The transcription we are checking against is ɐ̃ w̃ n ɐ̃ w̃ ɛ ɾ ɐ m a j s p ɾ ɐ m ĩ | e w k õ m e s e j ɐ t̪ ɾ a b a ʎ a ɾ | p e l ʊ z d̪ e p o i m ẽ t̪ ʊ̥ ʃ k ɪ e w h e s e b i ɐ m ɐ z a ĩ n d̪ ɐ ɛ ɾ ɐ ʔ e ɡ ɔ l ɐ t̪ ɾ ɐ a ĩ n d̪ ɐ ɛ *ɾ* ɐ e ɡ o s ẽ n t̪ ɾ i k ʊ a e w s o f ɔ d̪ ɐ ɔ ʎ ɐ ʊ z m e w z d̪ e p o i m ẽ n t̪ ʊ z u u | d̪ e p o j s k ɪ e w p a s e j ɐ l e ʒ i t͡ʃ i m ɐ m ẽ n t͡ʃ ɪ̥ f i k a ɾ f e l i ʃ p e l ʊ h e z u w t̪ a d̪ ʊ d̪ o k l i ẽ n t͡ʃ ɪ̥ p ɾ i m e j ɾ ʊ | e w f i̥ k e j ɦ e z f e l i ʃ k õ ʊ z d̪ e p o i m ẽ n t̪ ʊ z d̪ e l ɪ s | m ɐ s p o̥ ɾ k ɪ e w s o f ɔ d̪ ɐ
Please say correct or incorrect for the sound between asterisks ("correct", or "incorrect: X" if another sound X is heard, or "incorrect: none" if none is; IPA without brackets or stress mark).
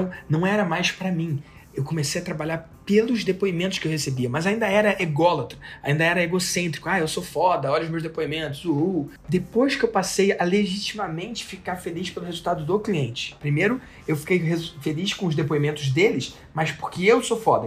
correct